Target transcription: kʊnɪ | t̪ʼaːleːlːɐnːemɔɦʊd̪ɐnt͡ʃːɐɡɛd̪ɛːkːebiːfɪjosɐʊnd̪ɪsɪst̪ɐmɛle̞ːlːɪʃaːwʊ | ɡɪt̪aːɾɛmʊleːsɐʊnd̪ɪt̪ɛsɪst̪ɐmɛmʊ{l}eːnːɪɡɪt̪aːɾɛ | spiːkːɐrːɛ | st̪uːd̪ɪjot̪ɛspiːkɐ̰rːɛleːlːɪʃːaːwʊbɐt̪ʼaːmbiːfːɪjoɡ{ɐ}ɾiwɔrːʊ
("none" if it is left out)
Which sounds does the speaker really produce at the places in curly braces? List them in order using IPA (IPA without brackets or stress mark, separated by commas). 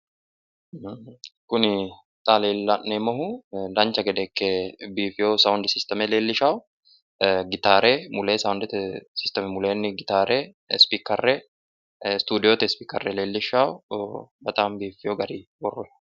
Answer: l, ɐ